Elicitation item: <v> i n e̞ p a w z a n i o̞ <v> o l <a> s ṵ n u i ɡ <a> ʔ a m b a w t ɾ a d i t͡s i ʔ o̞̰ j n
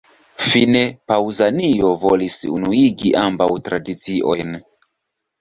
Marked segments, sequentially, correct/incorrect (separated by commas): incorrect, correct, incorrect, incorrect